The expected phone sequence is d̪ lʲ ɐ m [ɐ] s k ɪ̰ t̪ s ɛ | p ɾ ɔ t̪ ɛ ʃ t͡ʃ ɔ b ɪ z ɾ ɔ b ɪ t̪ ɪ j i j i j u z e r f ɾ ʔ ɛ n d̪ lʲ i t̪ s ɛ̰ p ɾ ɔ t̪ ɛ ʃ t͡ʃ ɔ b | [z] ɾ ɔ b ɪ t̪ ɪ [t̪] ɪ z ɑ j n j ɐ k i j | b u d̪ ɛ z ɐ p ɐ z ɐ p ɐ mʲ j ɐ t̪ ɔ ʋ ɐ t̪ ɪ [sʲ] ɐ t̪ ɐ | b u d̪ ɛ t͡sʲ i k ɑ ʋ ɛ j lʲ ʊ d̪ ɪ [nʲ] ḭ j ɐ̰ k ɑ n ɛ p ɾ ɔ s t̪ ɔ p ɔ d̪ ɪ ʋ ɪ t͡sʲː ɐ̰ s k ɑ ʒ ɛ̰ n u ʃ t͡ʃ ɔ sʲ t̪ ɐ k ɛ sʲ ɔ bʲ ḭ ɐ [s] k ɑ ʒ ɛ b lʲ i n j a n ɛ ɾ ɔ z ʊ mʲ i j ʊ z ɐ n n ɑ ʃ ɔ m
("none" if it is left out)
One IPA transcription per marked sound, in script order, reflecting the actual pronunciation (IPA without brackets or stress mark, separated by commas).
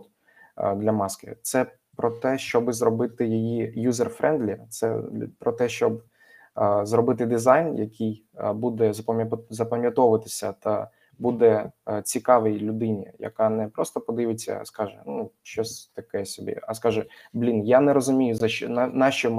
ɑ, z, d̪, sʲ, nʲ, s